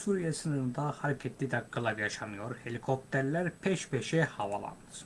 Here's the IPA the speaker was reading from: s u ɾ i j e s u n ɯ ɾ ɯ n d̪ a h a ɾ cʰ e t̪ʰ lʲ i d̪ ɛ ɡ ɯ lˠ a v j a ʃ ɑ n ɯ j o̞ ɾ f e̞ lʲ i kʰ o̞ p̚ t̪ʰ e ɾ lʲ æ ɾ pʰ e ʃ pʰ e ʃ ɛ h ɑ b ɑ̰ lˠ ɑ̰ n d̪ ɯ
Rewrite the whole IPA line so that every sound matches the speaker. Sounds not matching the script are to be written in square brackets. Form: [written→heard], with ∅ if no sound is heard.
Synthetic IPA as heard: s u ɾ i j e s [u→ɯ] n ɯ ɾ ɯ n d̪ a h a ɾ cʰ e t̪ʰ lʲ i d̪ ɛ ɡ ɯ lˠ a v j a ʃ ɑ n ɯ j o̞ ɾ [f→h] e̞ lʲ i kʰ o̞ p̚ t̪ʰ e ɾ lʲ æ ɾ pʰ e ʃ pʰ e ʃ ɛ h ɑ [b→v] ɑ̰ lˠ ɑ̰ n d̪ ɯ